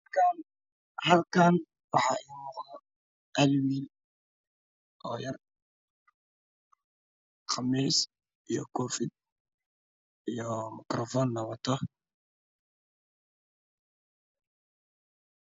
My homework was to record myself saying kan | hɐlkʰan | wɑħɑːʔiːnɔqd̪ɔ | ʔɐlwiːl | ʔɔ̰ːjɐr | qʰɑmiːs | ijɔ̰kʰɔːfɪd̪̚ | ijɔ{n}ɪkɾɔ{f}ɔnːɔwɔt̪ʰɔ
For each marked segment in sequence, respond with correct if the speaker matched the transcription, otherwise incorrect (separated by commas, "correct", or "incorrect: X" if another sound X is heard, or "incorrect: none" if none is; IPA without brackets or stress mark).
incorrect: m, correct